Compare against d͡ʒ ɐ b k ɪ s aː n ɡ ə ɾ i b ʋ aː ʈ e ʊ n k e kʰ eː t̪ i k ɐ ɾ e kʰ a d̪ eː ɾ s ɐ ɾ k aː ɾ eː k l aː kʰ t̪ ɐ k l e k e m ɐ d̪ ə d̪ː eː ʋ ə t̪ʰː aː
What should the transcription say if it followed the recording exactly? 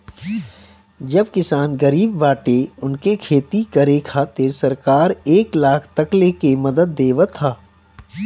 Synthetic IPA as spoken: d͡ʒ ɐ b k ɪ s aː n ɡ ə ɾ iː b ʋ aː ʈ e ʊ n k e kʰ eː t̪ i k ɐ ɾ e kʰ a t̪ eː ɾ s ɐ ɾ k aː ɾ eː k l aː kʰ t̪ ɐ k l e k e m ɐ d̪ ə d̪ː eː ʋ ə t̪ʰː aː